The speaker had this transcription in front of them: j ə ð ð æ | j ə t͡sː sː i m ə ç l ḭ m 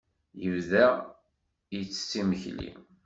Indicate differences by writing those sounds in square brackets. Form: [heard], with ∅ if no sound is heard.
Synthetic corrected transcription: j ə [v] ð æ | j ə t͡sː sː i m ə ç l ḭ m